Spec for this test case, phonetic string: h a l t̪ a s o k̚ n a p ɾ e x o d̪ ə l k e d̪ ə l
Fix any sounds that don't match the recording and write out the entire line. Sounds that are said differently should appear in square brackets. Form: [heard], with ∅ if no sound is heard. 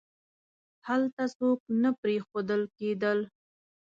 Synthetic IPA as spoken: h a l t̪ a s o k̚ n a p ɾ e x o d̪ ə l k e d̪ ə l